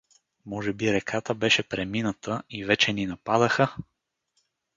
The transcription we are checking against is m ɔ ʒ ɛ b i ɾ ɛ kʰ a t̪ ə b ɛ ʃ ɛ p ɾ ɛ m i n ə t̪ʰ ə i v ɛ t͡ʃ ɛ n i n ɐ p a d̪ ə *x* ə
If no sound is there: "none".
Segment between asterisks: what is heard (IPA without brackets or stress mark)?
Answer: x